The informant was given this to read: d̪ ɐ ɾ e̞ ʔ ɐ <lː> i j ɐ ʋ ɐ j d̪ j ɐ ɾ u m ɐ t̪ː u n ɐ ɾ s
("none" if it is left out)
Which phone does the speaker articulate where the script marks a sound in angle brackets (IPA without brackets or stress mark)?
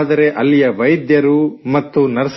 lː